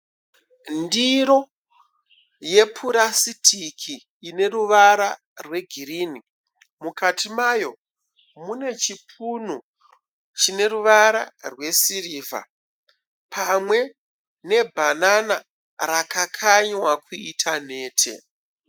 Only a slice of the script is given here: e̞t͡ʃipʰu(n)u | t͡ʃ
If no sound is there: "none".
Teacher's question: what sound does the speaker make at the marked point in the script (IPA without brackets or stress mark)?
n